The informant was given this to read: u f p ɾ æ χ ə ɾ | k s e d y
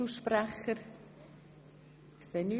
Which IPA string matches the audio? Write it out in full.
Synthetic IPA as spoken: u ʃ p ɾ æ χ ə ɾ | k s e n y